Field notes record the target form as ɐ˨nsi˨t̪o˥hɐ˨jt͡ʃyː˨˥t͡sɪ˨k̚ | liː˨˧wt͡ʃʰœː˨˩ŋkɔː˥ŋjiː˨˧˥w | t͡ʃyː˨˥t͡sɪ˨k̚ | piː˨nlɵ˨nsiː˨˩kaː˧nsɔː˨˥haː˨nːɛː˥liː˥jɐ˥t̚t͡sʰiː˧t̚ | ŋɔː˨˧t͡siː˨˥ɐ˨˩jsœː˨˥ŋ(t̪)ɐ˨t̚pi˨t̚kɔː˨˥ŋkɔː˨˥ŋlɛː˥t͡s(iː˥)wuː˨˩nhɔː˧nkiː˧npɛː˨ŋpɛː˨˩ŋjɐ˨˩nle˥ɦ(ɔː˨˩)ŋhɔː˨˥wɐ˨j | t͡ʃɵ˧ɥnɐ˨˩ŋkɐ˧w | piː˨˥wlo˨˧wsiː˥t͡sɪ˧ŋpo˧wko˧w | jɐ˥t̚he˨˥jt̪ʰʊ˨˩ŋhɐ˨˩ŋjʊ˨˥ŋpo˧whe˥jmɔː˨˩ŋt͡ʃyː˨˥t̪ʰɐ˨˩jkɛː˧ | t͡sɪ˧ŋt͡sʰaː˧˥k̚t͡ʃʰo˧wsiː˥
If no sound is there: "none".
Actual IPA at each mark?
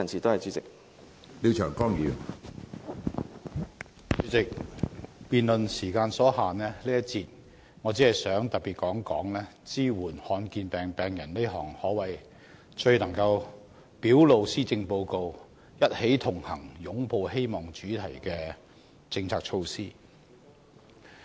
t̪, iː˥, ɔː˨˩

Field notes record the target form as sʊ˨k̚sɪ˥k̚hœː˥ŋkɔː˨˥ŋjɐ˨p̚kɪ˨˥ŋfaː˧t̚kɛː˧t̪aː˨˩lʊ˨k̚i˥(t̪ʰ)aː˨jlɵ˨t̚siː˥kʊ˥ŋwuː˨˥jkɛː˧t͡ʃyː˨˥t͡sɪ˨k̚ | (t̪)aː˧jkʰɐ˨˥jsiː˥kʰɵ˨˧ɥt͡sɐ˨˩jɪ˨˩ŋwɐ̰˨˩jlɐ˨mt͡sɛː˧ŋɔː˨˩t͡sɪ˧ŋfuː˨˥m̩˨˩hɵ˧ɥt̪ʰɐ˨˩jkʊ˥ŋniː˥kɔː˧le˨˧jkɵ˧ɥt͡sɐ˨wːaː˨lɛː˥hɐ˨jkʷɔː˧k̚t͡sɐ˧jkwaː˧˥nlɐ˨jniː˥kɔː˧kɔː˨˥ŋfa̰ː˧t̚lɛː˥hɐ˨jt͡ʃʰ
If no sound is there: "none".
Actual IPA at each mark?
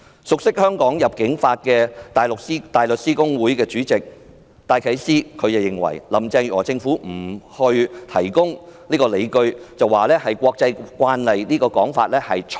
t̪, t̪

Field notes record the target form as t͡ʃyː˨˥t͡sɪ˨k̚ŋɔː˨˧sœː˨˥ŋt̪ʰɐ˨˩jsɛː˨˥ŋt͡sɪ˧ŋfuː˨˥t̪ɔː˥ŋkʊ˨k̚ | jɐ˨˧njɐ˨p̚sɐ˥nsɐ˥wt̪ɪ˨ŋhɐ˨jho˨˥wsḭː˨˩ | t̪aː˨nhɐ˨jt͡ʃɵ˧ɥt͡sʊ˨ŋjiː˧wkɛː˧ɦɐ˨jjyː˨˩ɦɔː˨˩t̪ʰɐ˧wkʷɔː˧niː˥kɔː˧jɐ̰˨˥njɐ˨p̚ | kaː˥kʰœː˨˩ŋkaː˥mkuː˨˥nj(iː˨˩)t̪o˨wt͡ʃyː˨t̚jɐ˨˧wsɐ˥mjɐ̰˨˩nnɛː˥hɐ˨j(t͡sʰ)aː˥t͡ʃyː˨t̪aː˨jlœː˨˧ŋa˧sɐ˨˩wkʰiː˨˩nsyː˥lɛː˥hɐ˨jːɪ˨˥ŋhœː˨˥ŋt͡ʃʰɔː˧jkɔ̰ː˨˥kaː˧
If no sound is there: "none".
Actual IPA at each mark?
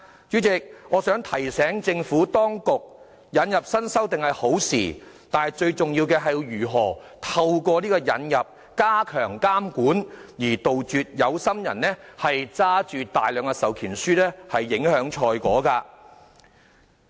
iː˨˩, t͡s

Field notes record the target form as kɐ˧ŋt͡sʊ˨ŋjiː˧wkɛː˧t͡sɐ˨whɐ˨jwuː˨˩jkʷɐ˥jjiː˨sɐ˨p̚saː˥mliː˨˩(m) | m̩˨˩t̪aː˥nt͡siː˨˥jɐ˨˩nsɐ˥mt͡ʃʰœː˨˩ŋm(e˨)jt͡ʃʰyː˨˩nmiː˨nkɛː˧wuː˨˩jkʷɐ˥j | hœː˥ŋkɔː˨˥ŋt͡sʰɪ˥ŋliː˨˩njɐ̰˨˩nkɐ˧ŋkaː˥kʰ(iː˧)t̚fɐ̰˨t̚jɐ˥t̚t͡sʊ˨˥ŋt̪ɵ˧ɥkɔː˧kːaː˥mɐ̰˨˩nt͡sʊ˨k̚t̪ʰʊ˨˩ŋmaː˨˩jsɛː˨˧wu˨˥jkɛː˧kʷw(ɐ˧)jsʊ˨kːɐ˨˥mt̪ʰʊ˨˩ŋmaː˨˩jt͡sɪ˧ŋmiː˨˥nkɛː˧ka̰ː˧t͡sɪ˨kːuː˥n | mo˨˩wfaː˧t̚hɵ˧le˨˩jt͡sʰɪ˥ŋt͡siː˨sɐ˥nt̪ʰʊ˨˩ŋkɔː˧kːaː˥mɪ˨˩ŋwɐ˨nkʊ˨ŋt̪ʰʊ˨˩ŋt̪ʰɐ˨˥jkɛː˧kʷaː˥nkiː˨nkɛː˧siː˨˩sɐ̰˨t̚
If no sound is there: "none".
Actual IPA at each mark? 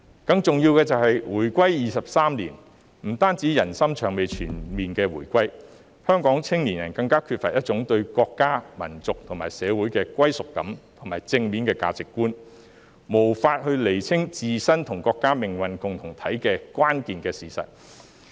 n, e˨, yː˧, ɐ˥

